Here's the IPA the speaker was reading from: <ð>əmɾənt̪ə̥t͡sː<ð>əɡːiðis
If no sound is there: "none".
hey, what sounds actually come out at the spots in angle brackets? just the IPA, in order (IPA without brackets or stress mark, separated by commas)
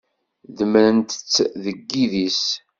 ð, ð